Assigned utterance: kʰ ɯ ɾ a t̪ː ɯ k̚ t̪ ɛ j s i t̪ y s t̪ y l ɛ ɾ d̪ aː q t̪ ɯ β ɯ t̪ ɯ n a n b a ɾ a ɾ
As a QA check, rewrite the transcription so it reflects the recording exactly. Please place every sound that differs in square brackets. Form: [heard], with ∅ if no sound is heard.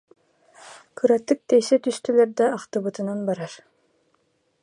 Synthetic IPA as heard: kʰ ɯ ɾ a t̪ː ɯ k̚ t̪ ɛ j s [ɛ] t̪ y s t̪ y l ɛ ɾ d̪ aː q t̪ ɯ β ɯ t̪ ɯ n a n b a ɾ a ɾ

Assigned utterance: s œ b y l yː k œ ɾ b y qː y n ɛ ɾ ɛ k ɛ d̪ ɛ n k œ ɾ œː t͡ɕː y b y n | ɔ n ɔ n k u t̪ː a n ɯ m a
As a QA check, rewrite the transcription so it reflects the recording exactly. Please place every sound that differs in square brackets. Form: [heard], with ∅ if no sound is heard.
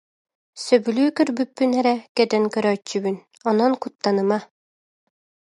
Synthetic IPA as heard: s œ b y l yː k œ ɾ b y [pː] y n ɛ ɾ ɛ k ɛ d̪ ɛ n k œ ɾ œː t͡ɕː y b y n | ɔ n ɔ n k u t̪ː a n ɯ m a

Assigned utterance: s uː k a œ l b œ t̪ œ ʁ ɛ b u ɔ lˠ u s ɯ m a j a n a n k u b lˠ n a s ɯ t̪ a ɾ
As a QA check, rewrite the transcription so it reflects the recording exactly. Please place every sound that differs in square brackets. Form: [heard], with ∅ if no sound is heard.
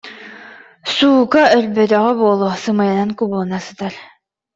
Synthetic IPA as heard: s uː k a œ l b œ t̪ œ ʁ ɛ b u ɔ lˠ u s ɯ m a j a n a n k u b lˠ n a s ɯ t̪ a ɾ

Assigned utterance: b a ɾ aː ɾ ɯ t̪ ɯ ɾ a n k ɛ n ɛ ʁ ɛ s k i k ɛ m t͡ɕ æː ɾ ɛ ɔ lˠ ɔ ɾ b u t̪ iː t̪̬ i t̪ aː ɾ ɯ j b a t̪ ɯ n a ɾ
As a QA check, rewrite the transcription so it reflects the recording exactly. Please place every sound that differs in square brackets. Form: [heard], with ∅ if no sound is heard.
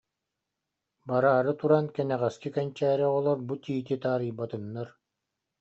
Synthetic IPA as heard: b a ɾ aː ɾ ɯ t̪ [u] ɾ a n k ɛ n ɛ ʁ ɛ s k i k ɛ [n] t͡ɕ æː ɾ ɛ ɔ lˠ ɔ ɾ b u t̪ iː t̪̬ i t̪ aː ɾ ɯ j b a t̪ ɯ [nː] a ɾ

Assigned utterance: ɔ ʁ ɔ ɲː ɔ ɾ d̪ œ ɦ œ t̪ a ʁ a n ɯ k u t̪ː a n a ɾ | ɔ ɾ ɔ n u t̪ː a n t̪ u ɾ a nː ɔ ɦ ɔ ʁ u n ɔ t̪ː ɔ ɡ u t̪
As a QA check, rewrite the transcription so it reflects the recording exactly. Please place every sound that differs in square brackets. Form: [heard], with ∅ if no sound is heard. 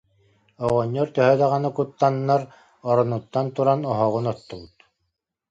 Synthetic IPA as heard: ɔ ʁ ɔ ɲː ɔ ɾ [t̪] œ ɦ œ [d̪] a ʁ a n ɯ k u t̪ː a [nː] a ɾ | ɔ ɾ ɔ n u t̪ː a n t̪ u ɾ a [n] ɔ ɦ ɔ ʁ u n ɔ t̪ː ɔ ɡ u t̪

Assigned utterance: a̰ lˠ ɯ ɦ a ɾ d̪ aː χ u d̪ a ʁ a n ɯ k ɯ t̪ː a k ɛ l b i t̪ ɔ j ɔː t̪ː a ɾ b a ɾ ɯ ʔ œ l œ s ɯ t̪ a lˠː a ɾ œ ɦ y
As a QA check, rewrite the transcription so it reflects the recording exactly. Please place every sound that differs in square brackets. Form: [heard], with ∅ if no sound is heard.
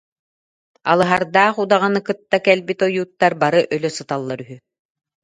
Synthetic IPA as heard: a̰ lˠ ɯ ɦ a ɾ d̪ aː χ u d̪ a ʁ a n ɯ k ɯ t̪ː a k ɛ l b i t̪ ɔ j [uː] t̪ː a ɾ b a ɾ ɯ ʔ œ l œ s ɯ t̪ a lˠː a ɾ [y] ɦ y

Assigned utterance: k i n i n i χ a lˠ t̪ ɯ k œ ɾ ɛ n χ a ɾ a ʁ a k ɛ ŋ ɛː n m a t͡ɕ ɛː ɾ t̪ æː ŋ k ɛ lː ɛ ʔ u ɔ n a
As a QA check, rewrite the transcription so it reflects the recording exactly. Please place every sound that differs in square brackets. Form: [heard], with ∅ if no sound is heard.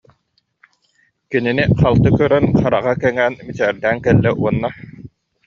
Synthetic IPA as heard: k i n i n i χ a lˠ t̪ ɯ k œ ɾ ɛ n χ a ɾ a ʁ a k ɛ ŋ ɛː n m [i] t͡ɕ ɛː ɾ [d̪] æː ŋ k ɛ lː ɛ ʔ u ɔ [nː] a

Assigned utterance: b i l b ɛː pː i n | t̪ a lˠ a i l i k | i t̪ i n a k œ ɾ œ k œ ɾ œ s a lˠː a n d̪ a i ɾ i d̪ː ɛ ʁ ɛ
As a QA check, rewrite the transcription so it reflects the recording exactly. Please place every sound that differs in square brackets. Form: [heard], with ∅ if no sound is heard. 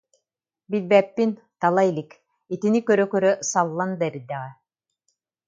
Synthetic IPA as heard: b i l b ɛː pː i n | t̪ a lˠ a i l i k | i t̪ i n [i] k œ ɾ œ k œ ɾ œ s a lˠː a n d̪ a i ɾ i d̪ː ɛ ʁ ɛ

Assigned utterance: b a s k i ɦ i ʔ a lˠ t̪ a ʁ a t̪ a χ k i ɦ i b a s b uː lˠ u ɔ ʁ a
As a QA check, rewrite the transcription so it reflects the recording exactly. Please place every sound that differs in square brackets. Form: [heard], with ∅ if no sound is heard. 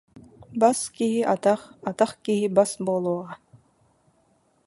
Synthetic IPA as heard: b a s k i ɦ i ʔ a [∅] t̪ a [χ] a t̪ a χ k i ɦ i b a s b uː lˠ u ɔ ʁ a

